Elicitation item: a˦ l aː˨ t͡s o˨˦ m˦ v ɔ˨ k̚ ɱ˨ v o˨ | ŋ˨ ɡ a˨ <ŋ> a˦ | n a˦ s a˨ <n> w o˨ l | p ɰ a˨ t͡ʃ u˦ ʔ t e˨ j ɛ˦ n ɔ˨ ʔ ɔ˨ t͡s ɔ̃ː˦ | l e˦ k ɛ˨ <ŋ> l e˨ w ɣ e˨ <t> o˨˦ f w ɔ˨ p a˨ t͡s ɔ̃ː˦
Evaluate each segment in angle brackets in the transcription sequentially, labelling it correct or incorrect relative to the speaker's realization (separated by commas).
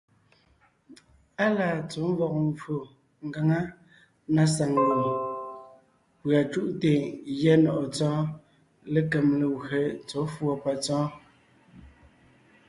correct, incorrect, incorrect, incorrect